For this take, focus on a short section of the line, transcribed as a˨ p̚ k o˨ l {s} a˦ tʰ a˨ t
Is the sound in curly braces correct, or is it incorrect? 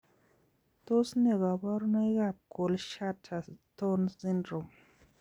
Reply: incorrect